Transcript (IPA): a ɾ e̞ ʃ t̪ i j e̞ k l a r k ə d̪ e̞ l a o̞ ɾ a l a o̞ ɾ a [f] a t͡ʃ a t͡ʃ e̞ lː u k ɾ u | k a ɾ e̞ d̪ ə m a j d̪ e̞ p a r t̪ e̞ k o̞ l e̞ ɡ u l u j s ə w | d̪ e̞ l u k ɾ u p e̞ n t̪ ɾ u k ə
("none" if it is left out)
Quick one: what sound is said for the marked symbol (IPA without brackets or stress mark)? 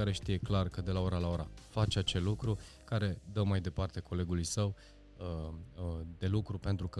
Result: f